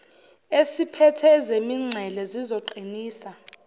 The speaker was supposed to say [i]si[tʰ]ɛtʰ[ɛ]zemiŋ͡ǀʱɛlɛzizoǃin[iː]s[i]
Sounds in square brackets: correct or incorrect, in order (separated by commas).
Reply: incorrect, incorrect, correct, correct, incorrect